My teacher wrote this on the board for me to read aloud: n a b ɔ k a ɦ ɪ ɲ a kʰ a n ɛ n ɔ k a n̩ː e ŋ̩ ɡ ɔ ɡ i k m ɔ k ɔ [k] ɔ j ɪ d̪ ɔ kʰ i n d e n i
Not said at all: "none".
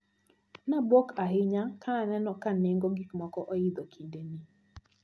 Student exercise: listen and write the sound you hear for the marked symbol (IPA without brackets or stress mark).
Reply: ʔ